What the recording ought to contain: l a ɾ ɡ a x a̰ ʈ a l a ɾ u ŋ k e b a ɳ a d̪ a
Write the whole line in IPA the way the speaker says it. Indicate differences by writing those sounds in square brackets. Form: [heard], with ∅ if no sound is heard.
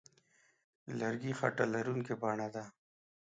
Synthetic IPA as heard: l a ɾ ɡ [i] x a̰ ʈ a l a ɾ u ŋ k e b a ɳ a d̪ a